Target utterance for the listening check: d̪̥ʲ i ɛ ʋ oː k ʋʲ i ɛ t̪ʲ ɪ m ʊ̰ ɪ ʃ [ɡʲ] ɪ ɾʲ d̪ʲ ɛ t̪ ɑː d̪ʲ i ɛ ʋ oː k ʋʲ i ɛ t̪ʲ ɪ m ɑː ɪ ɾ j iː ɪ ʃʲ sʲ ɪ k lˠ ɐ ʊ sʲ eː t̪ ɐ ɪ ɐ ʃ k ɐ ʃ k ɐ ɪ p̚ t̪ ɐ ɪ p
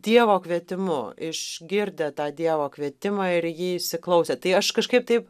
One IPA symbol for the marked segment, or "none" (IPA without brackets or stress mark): ɡʲ